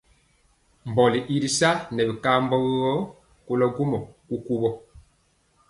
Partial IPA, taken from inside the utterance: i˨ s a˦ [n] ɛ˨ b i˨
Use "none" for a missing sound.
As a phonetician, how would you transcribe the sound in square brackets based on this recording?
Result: n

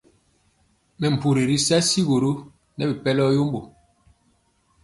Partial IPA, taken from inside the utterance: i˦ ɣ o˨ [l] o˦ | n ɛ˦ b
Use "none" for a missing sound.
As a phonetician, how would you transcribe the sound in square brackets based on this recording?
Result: ɾ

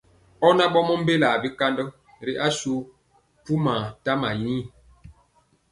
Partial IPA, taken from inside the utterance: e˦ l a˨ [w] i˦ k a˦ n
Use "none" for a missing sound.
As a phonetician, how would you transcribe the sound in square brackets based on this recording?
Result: b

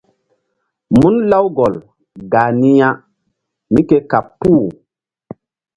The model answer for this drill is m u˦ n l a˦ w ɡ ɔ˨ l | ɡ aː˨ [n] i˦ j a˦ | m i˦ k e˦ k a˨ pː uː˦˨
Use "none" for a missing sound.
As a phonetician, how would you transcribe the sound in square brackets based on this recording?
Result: n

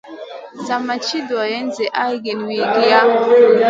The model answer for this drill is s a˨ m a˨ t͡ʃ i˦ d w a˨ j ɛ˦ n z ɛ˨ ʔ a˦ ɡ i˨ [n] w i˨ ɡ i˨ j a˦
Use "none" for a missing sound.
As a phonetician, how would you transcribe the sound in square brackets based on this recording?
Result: n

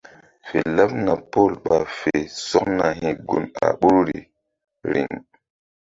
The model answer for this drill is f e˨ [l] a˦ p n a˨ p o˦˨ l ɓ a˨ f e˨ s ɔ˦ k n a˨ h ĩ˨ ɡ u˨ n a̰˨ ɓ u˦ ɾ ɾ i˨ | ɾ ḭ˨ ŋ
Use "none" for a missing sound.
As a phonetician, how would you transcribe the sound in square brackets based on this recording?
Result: l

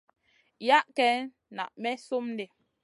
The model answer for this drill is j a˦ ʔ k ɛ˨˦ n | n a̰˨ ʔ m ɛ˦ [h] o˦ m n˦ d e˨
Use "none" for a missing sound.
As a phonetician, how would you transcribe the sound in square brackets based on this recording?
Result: s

